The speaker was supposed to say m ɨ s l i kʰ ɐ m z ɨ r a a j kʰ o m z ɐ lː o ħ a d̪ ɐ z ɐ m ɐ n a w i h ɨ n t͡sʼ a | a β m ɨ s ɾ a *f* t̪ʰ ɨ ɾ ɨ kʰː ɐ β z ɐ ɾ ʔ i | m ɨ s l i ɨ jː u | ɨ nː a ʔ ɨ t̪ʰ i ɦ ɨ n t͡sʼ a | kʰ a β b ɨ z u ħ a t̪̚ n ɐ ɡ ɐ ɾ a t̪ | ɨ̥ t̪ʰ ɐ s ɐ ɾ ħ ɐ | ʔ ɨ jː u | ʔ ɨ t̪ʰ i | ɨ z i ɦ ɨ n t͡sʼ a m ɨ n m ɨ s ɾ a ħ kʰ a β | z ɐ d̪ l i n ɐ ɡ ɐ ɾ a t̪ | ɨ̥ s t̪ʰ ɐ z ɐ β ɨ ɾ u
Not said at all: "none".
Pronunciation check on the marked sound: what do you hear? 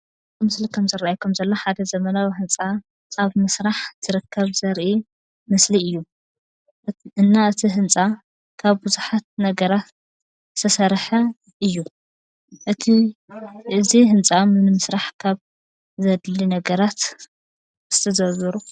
ħ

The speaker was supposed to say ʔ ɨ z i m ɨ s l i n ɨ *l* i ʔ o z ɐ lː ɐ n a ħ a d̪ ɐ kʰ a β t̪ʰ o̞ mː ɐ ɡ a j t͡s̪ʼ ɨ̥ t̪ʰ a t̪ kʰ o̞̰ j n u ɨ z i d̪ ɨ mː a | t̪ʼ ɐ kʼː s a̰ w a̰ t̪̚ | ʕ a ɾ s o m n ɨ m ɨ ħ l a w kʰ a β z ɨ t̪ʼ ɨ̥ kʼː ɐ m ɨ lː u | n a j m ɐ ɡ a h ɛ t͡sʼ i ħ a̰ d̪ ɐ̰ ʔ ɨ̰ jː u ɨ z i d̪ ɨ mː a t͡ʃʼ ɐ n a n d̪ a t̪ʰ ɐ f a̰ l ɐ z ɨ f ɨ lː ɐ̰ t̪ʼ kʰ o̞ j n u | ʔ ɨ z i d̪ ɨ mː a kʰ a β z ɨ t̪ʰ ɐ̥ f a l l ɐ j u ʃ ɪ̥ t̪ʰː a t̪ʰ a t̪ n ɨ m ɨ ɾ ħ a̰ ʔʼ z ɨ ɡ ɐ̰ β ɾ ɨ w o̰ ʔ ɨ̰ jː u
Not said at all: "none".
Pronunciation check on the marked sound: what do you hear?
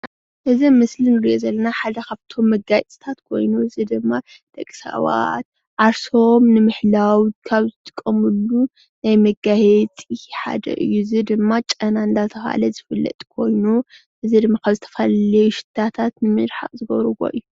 ɾ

